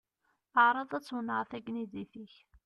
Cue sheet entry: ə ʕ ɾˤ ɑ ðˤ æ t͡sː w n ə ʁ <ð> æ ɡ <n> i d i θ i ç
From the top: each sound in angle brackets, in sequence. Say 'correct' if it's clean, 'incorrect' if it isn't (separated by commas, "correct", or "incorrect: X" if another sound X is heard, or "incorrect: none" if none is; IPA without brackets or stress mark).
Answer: incorrect: θ, correct